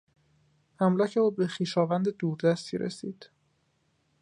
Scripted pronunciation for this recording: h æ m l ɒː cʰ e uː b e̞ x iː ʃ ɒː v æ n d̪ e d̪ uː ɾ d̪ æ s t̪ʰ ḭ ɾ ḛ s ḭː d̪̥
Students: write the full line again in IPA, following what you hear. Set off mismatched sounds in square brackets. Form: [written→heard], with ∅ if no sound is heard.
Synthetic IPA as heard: h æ m l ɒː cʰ e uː b e̞ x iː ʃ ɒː v æ n d̪ e d̪ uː ɾ d̪ æ s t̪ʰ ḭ ɾ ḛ s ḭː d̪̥